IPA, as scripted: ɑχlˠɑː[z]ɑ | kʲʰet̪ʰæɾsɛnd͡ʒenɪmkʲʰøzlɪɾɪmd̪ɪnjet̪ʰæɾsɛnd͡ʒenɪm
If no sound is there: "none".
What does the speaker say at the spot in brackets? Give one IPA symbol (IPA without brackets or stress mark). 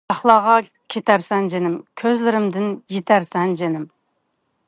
ʁ